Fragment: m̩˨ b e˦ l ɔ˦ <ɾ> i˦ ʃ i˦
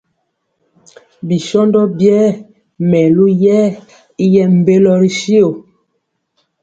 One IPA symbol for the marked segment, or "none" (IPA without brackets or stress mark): ɾ